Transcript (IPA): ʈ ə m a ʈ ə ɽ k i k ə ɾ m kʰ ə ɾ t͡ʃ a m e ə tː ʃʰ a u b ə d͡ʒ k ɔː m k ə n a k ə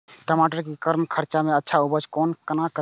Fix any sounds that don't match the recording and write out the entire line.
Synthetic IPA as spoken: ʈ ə m a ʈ ə ɾ k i k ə ɾ m kʰ ə ɾ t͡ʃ a m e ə tː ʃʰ a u b ə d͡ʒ k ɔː n k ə n a k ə

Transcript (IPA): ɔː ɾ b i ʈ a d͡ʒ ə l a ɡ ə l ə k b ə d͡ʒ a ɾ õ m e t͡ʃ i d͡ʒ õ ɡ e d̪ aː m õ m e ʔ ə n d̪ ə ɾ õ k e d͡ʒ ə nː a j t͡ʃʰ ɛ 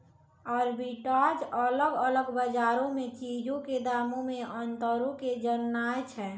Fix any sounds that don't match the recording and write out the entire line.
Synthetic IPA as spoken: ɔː ɾ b i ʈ a d͡ʒ ə l ə ɡ ə l ə ɡ b ə d͡ʒ a ɾ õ m e t͡ʃ i d͡ʒ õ k e d̪ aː m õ m e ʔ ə n t̪ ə ɾ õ k e d͡ʒ ə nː a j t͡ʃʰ ɛ

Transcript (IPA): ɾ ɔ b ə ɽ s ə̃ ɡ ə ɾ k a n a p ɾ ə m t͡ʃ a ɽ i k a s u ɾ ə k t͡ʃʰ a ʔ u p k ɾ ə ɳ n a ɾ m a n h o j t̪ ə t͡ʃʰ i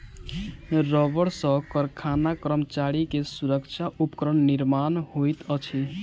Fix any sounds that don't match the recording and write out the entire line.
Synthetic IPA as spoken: ɾ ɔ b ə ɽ s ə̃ k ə ɾ kʰ a n a k ɾ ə m t͡ʃ a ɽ i k e s u ɾ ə k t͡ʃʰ a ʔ u p k ɾ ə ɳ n i ɾ m a n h o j t̪ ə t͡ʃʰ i

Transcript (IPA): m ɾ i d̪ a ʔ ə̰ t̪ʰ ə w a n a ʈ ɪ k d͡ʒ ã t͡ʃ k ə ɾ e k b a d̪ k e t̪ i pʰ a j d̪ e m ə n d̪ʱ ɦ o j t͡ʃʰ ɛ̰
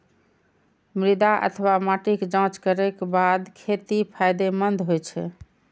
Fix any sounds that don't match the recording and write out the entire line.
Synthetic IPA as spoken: m ɾ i d̪ a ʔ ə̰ t̪ʰ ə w a m a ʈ i k d͡ʒ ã t͡ʃ k ə ɾ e k b a d̪ kʰ e t̪ i pʰ a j d̪ e m ə n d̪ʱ ɦ o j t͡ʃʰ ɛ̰

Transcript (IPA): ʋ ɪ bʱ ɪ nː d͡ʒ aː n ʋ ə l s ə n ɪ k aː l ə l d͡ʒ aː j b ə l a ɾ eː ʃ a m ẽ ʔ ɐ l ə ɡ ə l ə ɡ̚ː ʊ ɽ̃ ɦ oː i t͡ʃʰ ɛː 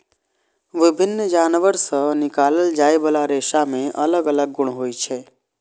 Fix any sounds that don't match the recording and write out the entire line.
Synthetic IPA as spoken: ʋ ɪ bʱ ɪ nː d͡ʒ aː n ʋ ə ɾ s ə n ɪ k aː l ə l d͡ʒ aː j b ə l a ɾ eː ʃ a m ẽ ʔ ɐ l ə ɡ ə l ə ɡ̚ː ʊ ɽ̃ ɦ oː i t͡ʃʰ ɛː

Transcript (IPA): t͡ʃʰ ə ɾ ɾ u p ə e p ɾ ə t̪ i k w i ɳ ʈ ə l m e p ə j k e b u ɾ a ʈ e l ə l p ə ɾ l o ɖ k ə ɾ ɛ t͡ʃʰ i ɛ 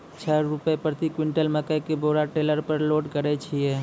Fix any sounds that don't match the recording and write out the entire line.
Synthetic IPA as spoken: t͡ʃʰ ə ɾ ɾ u p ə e p ɾ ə t̪ i k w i ɳ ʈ ə l m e k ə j k e b o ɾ a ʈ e l ə ɾ p ə ɾ l o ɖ k ə ɾ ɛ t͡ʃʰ i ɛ

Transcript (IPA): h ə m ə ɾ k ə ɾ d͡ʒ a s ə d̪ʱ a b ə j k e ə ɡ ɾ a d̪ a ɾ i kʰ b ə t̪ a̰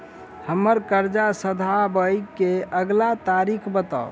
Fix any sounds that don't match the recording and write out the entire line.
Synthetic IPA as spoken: h ə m ə ɾ k ə ɾ d͡ʒ a s ə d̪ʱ a b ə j k e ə ɡ l a t̪ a ɾ i kʰ b ə t̪ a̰

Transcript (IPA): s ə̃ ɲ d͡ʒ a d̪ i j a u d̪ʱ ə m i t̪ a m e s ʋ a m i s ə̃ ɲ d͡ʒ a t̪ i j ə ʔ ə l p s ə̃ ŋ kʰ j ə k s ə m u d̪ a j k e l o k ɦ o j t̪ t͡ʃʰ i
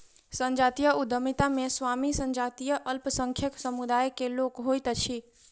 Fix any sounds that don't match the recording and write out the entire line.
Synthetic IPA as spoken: s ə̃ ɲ d͡ʒ a t̪ i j ə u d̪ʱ ə m i t̪ a m e s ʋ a m i s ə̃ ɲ d͡ʒ a t̪ i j ə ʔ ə l p s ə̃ ŋ kʰ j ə k s ə m u d̪ a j k e l o k ɦ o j t̪ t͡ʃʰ i

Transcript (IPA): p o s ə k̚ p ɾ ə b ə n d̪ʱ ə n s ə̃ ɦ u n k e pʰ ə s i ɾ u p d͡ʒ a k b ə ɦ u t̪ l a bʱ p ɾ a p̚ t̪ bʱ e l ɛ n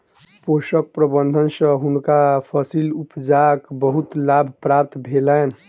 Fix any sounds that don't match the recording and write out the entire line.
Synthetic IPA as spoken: p o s ə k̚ p ɾ ə b ə n d̪ʱ ə n s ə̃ ɦ u n k a pʰ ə s i l u p d͡ʒ a k b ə ɦ u t̪ l a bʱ p ɾ a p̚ t̪ bʱ e l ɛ n

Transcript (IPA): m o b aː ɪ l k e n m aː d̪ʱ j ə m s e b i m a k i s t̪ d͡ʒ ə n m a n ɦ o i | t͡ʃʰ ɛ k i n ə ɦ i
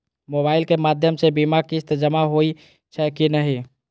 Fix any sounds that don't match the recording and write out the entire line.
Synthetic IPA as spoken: m o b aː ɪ l k e m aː d̪ʱ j ə m s e b i m a k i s t̪ d͡ʒ ə m a ɦ o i | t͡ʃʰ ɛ k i n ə ɦ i

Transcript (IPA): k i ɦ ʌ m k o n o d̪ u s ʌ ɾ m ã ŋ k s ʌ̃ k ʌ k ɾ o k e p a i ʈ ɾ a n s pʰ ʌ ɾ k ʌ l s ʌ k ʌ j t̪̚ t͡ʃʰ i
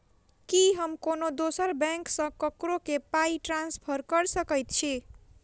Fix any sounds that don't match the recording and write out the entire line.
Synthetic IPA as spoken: k i ɦ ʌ m k o n o d̪ o s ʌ ɾ b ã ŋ k s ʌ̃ k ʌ k ɾ o k e p a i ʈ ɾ a n s pʰ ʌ ɾ k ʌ ɾ s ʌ k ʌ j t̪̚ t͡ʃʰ i

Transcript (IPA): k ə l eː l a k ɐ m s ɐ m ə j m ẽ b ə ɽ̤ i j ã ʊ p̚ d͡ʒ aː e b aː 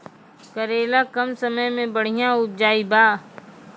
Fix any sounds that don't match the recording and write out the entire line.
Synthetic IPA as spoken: k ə ɾ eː l a k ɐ m s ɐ m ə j m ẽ b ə ɽ̤ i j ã ʊ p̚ d͡ʒ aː i b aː

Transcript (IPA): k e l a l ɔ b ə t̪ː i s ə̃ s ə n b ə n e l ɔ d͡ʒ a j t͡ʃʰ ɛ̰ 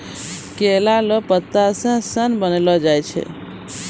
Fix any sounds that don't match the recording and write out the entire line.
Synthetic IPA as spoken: k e l a l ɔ p ə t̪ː a s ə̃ s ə n b ə n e l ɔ d͡ʒ a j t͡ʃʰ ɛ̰

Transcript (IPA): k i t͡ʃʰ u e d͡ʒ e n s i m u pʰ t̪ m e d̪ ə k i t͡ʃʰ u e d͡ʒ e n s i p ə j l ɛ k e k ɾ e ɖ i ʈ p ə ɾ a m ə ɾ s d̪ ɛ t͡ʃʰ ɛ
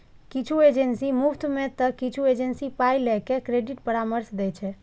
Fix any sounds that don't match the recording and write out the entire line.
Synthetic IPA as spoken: k i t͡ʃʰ u e d͡ʒ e n s i m u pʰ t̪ m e t̪ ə k i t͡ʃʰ u e d͡ʒ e n s i p a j l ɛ k e k ɾ e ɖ i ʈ p ə ɾ a m ə ɾ s d̪ ɛ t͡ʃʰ ɛ

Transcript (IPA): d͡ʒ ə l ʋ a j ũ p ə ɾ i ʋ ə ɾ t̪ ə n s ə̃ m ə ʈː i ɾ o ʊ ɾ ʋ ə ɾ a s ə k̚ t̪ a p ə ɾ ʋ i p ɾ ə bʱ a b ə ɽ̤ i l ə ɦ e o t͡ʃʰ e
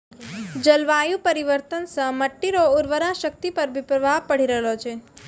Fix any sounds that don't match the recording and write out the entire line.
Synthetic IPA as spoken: d͡ʒ ə l ʋ a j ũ p ə ɾ i ʋ ə ɾ t̪ ə n s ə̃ m ə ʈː i ɾ o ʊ ɾ ʋ ə ɾ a ʃ ə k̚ t̪ i p ə ɾ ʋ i p ɾ ə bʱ a p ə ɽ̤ i ɾ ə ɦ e o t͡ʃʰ e

